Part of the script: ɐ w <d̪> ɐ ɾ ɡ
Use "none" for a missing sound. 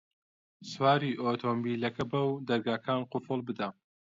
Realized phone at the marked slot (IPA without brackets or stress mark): d̪